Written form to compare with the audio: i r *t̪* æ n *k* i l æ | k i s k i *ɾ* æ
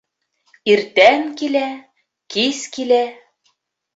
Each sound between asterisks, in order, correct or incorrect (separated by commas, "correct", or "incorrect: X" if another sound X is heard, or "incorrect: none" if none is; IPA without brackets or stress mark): correct, correct, incorrect: l